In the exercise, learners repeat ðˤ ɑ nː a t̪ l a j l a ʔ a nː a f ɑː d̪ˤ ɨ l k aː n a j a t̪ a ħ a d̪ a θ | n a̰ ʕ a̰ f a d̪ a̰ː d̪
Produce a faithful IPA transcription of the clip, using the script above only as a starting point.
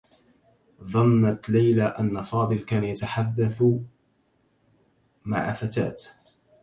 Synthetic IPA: ðˤ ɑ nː a t̪ l a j l a ʔ a nː a f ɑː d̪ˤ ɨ l k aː n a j a t̪ a ħ a d̪ː a θ | m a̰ ʕ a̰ f a t̪ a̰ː t̪